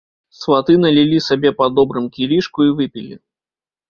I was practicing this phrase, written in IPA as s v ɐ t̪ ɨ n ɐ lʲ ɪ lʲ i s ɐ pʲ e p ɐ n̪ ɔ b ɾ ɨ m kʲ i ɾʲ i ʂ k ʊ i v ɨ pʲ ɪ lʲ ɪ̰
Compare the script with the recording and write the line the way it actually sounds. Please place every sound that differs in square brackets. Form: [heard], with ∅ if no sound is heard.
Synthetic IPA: s v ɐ t̪ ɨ n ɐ lʲ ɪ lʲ i s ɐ [bʲ] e p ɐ [d̪] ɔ b ɾ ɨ m kʲ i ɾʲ i ʂ k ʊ i v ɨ pʲ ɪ lʲ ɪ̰